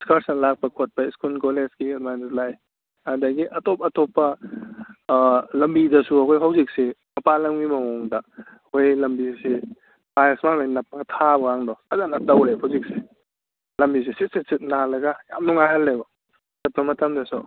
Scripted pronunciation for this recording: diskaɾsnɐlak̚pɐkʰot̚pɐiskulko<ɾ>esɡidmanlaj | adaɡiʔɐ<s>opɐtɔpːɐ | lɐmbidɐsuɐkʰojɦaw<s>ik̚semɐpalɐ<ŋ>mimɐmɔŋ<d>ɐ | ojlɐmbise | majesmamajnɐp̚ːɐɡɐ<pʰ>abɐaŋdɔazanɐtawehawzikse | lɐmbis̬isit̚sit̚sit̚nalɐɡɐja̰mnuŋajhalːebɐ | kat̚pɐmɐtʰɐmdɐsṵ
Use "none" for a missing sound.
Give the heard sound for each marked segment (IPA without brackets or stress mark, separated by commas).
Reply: l, t, z, ŋ, d, tʰ